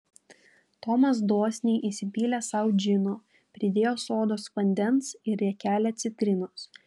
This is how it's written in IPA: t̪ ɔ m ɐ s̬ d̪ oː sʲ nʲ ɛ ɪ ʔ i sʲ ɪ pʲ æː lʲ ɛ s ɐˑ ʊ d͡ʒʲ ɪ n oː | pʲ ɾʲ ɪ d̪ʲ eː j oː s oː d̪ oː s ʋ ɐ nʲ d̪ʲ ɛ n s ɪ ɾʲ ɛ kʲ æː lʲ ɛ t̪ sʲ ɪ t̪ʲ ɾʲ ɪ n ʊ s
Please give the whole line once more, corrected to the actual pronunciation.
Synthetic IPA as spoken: t̪ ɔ m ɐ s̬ d̪ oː sʲ nʲ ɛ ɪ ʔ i sʲ ɪ pʲ iː lʲ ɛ s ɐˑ ʊ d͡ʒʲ ɪ n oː | pʲ ɾʲ ɪ d̪ʲ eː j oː s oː d̪ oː s ʋ ɐ nʲ d̪ʲ ɛ n s ɪ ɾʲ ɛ kʲ æː lʲ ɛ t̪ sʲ ɪ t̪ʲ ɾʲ ɪ n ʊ s

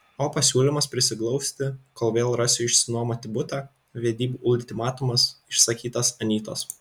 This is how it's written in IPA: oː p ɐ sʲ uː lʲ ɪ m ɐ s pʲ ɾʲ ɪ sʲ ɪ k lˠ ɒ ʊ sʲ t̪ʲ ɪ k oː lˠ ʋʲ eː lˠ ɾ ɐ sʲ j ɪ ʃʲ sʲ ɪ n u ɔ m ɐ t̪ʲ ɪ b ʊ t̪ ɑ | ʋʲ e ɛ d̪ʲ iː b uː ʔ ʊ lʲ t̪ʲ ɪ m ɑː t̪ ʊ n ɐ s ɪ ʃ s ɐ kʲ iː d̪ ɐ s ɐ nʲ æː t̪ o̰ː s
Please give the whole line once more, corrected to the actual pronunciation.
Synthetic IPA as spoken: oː p ɐ sʲ uː lʲ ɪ m ɐ s pʲ ɾʲ ɪ sʲ ɪ k lˠ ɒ ʊ sʲ t̪ʲ ɪ k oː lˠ ʋʲ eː lˠ ɾ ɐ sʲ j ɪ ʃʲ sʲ ɪ n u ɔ m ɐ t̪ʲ ɪ b ʊ t̪ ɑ | ʋʲ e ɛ d̪ʲ iː b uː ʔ ʊ lʲ t̪ʲ ɪ m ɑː t̪ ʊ m ɐ s ɪ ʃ s ɐ kʲ iː t̪ ɐ s ɐ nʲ iː t̪ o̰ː s

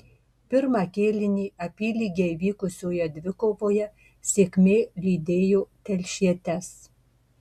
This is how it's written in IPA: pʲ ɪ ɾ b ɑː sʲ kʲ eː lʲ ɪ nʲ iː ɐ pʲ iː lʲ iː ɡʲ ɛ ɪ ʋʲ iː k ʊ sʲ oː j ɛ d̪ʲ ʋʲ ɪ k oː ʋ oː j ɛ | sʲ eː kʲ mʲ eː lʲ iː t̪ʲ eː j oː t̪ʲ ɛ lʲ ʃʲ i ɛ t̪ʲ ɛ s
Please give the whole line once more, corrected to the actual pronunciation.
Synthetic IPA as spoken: pʲ ɪ ɾ m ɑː kʲ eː lʲ ɪ nʲ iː ɐ pʲ iː lʲ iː ɡʲ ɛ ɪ ʋʲ iː k ʊ sʲ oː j ɛ d̪ʲ ʋʲ ɪ k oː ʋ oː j ɛ | sʲ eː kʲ mʲ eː lʲ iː d̪ʲ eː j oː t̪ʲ ɛ lʲ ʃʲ i ɛ t̪ʲ ɛ s

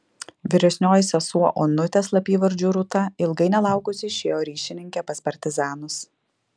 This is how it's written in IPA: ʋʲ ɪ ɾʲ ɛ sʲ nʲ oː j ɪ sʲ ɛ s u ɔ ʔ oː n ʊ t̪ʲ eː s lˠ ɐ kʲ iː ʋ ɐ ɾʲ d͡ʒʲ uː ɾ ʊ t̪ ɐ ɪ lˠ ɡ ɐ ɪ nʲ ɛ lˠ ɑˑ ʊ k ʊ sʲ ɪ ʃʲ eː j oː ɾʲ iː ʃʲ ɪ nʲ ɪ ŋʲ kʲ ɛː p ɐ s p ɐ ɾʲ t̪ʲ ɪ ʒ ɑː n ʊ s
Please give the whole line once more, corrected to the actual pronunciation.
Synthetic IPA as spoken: ʋʲ ɪ ɾʲ ɛ sʲ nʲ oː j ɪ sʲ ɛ s u ɔ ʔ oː n ʊ t̪ʲ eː s lˠ ɐ pʲ iː ʋ ɐ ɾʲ d͡ʒʲ uː ɾ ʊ t̪ ɐ ɪ lˠ ɡ ɐ ɪ nʲ ɛ lˠ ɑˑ ʊ k ʊ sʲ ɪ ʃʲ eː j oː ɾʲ iː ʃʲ ɪ nʲ ɪ ŋʲ kʲ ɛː p ɐ s p ɐ ɾʲ t̪ʲ ɪ z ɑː n ʊ s

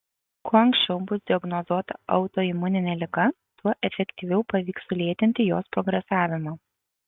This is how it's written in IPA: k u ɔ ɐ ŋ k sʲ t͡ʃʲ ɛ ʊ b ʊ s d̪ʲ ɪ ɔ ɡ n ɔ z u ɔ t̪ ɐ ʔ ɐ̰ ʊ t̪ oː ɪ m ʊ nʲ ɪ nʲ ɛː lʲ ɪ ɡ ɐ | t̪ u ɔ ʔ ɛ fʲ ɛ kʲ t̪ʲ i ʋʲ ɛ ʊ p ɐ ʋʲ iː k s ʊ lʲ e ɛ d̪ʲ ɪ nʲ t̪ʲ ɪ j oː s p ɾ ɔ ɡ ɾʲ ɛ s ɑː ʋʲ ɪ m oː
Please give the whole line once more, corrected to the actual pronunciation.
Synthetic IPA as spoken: k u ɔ ɐ ŋ k sʲ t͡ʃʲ ɛ ʊ b ʊ s d̪ʲ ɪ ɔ ɡ n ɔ z u ɔ t̪ ɐ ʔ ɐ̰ ʊ t̪ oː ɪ m ʊ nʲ ɪ nʲ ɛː lʲ ɪ ɡ ɐ | t̪ u ɔ ʔ ɛ fʲ ɛ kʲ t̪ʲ i ʋʲ ɛ ʊ p ɐ ʋʲ iː k s ʊ lʲ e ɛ t̪ʲ ɪ nʲ t̪ʲ ɪ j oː s p ɾ ɔ ɡ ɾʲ ɛ s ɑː ʋʲ ɪ m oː

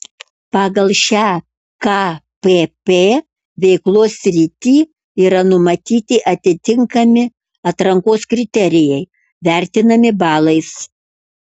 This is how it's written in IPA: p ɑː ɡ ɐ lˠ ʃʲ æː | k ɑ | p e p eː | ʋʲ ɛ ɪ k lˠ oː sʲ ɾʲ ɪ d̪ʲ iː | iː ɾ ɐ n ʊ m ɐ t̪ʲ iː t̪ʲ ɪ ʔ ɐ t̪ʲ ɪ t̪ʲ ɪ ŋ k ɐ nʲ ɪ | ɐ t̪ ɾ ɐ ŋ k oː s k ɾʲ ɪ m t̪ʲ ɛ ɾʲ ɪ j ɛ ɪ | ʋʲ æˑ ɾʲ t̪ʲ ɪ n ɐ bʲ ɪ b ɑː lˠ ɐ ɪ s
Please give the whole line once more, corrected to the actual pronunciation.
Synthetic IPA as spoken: p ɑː ɡ ɐ lˠ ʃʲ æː | k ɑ | p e p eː | ʋʲ ɛ ɪ k lˠ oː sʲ ɾʲ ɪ t̪ʲ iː | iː ɾ ɐ n ʊ m ɐ t̪ʲ iː t̪ʲ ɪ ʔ ɐ t̪ʲ ɪ t̪ʲ ɪ ŋ k ɐ mʲ ɪ | ɐ t̪ ɾ ɐ ŋ k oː s k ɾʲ ɪ t̪ʲ ɛ ɾʲ ɪ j ɛ ɪ | ʋʲ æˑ ɾʲ t̪ʲ ɪ n ɐ mʲ ɪ b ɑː lˠ ɐ ɪ s

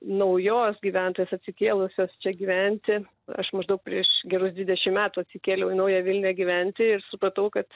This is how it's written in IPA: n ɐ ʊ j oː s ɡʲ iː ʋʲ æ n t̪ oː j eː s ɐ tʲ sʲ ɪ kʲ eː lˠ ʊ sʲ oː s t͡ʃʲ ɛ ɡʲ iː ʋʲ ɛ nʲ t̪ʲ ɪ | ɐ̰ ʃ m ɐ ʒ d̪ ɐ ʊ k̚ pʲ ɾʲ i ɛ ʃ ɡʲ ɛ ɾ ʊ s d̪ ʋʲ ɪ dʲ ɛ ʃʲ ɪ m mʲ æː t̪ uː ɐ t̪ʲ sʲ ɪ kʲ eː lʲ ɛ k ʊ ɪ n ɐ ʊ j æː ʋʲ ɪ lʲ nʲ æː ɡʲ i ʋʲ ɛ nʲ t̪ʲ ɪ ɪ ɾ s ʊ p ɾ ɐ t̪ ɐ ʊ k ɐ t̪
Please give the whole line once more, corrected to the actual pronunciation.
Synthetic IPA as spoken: n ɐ ʊ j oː s ɡʲ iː ʋʲ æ n t̪ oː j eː s ɐ tʲ sʲ ɪ kʲ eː lˠ ʊ sʲ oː s t͡ʃʲ ɛ ɡʲ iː ʋʲ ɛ nʲ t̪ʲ ɪ | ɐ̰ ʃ m ɐ ʒ d̪ ɐ ʊ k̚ pʲ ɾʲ i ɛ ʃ ɡʲ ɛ ɾ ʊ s d̪ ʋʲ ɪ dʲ ɛ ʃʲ ɪ m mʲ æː t̪ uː ɐ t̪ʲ sʲ ɪ kʲ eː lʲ ɛ ʊ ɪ n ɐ ʊ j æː ʋʲ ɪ lʲ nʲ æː ɡʲ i ʋʲ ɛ nʲ t̪ʲ ɪ ɪ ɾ s ʊ p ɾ ɐ t̪ ɐ ʊ k ɐ t̪

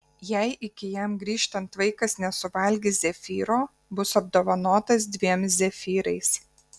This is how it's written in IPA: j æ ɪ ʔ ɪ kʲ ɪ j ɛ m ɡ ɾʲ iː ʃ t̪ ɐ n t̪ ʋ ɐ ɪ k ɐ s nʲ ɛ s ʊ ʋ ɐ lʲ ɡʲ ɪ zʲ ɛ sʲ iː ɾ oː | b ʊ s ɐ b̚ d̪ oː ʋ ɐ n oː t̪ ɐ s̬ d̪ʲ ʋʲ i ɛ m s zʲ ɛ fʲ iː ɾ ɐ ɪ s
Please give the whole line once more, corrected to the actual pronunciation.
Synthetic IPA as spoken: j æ ɪ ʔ ɪ kʲ ɪ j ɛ m ɡ ɾʲ iː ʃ t̪ ɐ n t̪ ʋ ɐ ɪ k ɐ s nʲ ɛ s ʊ ʋ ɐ lʲ ɡʲ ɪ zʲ ɛ fʲ iː ɾ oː | b ʊ s ɐ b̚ d̪ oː ʋ ɐ n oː t̪ ɐ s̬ d̪ʲ ʋʲ i ɛ m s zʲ ɛ fʲ iː ɾ ɐ ɪ s

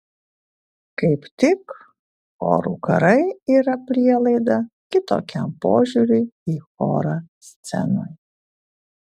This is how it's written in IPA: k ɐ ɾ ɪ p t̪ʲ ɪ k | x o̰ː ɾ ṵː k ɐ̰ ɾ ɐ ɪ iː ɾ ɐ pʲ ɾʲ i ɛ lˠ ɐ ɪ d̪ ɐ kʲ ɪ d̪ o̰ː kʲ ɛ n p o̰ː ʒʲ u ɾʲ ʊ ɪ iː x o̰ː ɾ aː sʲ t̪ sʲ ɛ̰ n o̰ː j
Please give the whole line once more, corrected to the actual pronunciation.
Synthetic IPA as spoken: k ɐ ɪ p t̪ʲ ɪ k | x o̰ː ɾ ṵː k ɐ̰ ɾ ɐ ɪ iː ɾ ɐ pʲ ɾʲ i ɛ lˠ ɐ ɪ d̪ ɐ kʲ ɪ t̪ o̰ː kʲ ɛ m p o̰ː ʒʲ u ɾʲ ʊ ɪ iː x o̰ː ɾ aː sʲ t̪ sʲ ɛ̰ n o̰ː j

